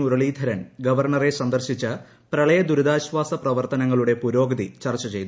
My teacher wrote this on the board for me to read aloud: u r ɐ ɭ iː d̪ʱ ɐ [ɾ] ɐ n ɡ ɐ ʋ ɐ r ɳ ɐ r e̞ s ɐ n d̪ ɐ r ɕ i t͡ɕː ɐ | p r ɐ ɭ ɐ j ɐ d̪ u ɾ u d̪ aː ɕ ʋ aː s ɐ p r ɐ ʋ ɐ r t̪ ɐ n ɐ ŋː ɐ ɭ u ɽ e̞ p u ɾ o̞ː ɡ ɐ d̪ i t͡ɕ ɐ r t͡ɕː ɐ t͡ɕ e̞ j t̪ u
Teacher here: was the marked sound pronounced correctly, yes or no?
yes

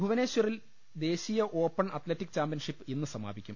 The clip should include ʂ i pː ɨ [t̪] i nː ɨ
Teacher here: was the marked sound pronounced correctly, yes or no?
no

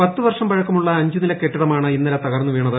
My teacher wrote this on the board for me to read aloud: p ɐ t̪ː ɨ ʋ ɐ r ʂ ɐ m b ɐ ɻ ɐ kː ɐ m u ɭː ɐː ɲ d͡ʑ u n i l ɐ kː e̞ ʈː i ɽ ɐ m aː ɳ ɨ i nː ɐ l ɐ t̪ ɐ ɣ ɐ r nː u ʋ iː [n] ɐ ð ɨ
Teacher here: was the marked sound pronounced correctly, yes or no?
no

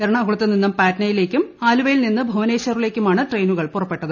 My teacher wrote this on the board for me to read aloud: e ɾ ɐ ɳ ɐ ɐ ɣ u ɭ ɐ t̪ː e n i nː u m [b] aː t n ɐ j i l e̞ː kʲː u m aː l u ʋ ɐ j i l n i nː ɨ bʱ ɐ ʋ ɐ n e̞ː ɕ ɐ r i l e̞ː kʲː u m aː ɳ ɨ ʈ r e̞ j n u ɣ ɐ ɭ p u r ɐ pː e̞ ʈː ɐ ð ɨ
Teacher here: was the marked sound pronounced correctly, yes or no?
no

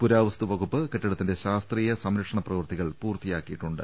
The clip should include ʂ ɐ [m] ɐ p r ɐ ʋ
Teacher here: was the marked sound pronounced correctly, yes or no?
no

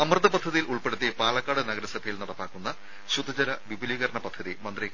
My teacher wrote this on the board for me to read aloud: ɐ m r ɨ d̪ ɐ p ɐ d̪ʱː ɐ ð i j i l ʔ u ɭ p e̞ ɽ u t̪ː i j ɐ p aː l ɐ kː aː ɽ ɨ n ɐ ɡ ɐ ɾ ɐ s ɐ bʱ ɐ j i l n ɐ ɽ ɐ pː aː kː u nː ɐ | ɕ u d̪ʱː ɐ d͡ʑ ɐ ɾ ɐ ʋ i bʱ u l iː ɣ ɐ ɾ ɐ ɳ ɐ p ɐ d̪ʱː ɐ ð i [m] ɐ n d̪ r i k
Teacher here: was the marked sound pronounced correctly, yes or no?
yes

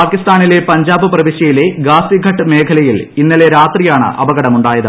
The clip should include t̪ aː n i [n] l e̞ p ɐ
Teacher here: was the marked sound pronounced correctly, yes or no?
no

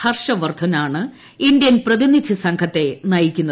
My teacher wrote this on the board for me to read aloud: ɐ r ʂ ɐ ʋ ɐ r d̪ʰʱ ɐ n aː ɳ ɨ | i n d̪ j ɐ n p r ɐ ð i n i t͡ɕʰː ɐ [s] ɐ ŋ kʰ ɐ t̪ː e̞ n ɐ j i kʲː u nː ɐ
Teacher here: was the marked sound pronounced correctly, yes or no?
yes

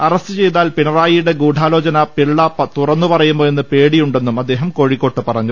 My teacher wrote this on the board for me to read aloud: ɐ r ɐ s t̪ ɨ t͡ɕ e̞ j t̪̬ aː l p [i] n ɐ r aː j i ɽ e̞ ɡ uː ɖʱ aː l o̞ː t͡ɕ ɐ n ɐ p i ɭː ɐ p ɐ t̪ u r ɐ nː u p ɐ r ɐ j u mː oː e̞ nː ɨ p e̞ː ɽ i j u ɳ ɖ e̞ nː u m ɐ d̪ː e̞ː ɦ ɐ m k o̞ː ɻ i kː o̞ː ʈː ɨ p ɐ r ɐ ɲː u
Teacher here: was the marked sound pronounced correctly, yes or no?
yes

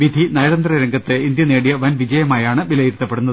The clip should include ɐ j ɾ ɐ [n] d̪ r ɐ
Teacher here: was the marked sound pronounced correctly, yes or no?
yes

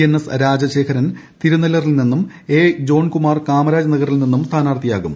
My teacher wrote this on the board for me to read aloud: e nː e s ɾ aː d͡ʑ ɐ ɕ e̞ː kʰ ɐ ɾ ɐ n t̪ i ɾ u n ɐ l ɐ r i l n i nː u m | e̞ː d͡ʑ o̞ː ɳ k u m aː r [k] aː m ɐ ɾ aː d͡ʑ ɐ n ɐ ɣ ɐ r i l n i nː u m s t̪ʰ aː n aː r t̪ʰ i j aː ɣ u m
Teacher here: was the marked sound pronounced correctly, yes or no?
yes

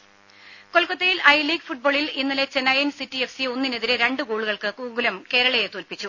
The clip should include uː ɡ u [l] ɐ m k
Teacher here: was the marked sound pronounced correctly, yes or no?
yes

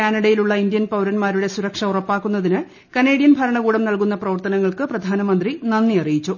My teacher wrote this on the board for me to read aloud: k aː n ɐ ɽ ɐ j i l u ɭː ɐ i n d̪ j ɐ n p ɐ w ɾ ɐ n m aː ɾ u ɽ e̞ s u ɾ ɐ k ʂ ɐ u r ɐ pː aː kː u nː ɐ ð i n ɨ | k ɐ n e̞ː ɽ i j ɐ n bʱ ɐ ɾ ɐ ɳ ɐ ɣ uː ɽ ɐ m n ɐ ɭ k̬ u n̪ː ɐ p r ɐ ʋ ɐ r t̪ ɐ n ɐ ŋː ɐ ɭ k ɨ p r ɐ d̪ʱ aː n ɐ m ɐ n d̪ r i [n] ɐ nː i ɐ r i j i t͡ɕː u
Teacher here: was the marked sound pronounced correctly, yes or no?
yes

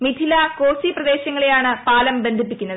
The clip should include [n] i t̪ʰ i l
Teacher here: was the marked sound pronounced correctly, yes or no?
no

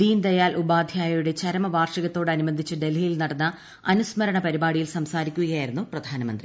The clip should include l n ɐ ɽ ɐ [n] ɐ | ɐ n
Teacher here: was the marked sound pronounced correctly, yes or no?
no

